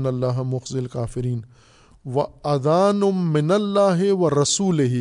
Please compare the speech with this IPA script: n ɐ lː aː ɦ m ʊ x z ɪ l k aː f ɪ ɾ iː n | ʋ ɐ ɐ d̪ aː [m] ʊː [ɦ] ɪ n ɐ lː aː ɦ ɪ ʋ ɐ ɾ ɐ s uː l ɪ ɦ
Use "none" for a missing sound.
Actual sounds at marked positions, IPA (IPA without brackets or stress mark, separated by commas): n, none